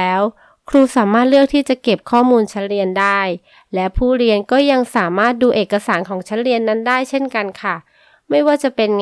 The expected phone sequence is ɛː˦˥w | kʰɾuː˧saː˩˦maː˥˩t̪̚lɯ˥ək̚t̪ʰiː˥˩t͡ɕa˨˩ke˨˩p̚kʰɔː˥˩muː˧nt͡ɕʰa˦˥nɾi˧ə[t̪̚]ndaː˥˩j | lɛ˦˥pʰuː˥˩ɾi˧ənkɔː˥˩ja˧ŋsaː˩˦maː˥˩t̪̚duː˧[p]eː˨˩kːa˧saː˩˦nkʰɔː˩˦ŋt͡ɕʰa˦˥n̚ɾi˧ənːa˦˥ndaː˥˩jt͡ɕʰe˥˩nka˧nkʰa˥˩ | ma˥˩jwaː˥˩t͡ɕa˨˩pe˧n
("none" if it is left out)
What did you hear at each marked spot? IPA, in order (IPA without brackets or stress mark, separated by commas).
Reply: none, ʔ